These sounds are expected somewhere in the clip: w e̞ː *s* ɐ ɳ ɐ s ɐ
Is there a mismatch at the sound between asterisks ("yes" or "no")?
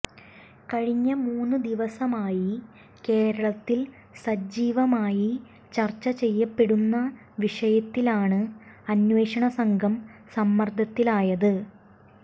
yes